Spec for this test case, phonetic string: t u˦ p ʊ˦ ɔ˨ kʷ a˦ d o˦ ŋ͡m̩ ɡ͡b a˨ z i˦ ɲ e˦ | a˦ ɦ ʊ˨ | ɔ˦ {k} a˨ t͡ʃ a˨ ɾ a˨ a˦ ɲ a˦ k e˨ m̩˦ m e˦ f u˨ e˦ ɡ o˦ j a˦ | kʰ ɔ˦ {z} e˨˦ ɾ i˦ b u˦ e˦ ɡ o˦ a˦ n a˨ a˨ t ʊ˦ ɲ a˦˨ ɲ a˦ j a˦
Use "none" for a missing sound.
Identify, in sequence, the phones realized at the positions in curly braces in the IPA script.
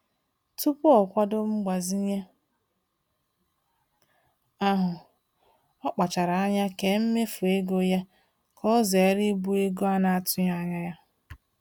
k͡p, z

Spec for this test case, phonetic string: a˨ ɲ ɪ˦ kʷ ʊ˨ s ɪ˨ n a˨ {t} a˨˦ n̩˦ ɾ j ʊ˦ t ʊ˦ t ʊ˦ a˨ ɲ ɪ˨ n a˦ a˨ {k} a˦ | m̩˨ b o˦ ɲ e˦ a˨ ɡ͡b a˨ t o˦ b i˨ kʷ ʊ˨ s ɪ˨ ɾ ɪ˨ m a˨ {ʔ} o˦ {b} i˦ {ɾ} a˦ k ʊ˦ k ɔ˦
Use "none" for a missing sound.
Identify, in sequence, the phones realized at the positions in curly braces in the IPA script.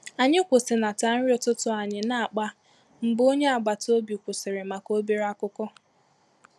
t, k͡p, k, b, ɾ

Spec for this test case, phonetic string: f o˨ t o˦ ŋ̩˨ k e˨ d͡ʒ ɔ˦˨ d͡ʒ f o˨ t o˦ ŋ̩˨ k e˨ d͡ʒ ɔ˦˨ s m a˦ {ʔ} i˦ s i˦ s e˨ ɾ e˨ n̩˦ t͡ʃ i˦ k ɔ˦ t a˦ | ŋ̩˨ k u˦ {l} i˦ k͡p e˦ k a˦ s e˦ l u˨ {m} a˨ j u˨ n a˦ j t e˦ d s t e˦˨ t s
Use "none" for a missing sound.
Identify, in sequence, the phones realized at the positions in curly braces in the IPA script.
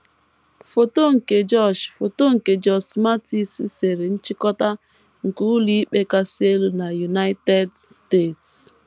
t, l, n

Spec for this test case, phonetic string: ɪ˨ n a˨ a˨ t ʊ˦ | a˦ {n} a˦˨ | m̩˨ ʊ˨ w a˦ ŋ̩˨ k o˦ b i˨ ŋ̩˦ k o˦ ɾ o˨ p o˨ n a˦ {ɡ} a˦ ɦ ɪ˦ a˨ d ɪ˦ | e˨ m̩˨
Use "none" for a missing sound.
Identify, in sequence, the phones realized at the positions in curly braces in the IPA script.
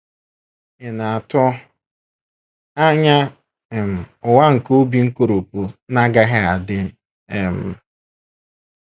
ɲ, ɡ

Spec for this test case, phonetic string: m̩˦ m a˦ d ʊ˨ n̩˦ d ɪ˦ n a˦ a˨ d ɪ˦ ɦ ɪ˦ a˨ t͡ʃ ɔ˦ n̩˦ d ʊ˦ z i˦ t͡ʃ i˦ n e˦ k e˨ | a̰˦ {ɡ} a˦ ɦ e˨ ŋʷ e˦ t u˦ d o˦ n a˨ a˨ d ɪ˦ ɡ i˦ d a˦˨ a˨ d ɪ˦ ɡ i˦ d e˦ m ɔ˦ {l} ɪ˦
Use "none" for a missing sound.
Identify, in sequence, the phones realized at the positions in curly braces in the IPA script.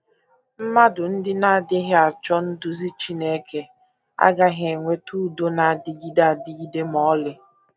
ɡ, l

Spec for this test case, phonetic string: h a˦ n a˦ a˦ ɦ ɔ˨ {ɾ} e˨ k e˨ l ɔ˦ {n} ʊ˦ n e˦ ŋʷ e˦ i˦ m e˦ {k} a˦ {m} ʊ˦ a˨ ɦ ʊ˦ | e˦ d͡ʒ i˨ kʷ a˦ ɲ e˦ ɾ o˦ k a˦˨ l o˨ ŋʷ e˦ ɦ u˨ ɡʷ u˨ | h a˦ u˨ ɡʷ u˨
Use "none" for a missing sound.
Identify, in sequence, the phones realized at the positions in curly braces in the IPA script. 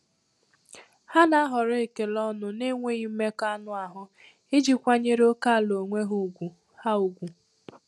ɾ, n, k, n

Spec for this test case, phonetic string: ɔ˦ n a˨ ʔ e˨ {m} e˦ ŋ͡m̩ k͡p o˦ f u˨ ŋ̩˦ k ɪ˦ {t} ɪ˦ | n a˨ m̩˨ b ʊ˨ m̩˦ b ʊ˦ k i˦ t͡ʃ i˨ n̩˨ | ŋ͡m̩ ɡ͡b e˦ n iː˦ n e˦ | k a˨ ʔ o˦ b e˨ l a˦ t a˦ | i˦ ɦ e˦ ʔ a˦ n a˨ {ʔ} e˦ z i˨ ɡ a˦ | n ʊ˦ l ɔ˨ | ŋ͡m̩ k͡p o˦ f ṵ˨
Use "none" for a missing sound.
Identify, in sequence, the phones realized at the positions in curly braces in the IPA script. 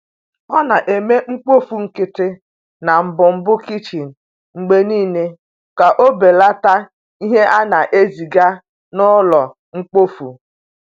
m, t, ʔ

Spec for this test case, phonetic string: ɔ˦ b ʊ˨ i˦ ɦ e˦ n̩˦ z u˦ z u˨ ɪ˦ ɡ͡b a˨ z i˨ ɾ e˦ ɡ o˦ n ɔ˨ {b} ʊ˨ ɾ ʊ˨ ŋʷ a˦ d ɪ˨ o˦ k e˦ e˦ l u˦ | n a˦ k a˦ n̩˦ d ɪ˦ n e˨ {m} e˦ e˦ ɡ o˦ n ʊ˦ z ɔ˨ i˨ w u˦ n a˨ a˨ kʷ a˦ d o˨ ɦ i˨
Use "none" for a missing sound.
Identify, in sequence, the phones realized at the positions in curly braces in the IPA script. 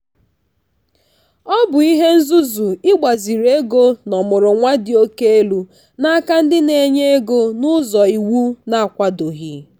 m, ɲ

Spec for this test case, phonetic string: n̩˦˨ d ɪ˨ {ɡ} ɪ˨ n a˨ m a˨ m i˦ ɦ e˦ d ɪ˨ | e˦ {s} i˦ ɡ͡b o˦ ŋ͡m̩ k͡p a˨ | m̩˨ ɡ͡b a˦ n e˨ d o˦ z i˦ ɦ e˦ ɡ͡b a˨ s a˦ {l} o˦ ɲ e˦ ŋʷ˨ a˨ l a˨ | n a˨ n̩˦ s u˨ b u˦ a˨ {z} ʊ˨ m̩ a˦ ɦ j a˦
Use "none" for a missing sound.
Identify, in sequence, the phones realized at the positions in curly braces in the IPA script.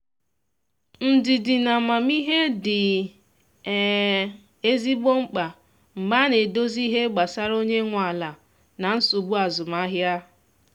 d, z, ɾ, z

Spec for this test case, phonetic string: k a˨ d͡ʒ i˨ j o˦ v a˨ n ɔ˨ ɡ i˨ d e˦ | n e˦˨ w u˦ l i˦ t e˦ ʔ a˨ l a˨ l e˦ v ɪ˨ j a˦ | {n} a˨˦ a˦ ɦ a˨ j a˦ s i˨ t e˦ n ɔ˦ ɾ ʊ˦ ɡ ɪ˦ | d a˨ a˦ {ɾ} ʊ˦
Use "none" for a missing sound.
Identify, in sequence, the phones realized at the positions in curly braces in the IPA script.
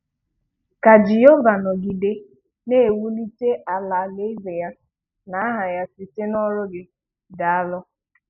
n, l

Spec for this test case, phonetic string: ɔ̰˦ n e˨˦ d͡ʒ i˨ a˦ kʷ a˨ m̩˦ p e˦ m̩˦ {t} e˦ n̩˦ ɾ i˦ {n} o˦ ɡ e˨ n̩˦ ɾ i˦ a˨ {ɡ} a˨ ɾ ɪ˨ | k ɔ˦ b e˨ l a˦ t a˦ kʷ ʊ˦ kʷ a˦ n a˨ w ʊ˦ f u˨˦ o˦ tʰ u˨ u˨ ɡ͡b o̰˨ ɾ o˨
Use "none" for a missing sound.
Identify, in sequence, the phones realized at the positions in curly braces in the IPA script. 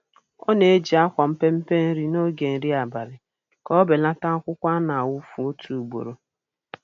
p, n, b

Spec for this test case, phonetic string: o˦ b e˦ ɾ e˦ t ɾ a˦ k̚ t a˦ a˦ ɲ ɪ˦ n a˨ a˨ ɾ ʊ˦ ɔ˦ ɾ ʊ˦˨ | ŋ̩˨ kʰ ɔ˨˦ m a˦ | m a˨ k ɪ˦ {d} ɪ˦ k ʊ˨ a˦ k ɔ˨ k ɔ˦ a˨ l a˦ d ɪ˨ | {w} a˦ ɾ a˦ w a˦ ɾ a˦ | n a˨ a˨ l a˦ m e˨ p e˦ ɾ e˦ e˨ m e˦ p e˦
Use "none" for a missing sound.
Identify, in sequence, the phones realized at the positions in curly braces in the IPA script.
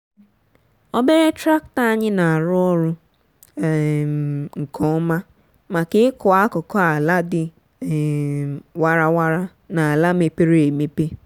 none, w

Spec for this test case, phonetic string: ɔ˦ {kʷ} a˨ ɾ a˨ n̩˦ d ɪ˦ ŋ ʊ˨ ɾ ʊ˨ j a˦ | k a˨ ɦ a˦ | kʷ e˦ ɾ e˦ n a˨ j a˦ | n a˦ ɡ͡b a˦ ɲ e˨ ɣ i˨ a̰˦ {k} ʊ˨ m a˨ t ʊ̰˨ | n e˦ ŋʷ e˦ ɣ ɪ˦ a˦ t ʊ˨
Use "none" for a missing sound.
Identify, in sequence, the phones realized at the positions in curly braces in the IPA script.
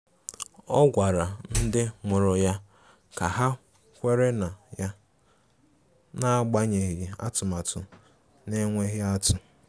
ɡʷ, t

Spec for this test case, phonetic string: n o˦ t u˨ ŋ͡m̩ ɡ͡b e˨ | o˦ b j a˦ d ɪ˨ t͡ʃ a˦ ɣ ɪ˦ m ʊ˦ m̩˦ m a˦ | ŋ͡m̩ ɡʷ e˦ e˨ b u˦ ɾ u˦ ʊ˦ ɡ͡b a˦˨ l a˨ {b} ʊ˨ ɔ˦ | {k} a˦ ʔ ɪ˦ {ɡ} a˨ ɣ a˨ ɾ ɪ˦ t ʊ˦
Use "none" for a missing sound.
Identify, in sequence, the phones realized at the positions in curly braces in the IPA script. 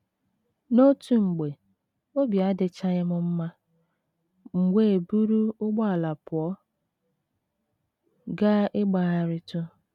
p, ɡ, ɡ͡b

